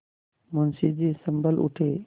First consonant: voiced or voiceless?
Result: voiced